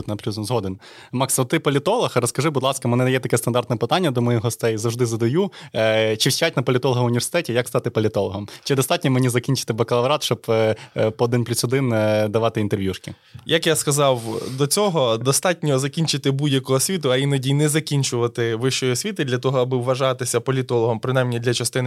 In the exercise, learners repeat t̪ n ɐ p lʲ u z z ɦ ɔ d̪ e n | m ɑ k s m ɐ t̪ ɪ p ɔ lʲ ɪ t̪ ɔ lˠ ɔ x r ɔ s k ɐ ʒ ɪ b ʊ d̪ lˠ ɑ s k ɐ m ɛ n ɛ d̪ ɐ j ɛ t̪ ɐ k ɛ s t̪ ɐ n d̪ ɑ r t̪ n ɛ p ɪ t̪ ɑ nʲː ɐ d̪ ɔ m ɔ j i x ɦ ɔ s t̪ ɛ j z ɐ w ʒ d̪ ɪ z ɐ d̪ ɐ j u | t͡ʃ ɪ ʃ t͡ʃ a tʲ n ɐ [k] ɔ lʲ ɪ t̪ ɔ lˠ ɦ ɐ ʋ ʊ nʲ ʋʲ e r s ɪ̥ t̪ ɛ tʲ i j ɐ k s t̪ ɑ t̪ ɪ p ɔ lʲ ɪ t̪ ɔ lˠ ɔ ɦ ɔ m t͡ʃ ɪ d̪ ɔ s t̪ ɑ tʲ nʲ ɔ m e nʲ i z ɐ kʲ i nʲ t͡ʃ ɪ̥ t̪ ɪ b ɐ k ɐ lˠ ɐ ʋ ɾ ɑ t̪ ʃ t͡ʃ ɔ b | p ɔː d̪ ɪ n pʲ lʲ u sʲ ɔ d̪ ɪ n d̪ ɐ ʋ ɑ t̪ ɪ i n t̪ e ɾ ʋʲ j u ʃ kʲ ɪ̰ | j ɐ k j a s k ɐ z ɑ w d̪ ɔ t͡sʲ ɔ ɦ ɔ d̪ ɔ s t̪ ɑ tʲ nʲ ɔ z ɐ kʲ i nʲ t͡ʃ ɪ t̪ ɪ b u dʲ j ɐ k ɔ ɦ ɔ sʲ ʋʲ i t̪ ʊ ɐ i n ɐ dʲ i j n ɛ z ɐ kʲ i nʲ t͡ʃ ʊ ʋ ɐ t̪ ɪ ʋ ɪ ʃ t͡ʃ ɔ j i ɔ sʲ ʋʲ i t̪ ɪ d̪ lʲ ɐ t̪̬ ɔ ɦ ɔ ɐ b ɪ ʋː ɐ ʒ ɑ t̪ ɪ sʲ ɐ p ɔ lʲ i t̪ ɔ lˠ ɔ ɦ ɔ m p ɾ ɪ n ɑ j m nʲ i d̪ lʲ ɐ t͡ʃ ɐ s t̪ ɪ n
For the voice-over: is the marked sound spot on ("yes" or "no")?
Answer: no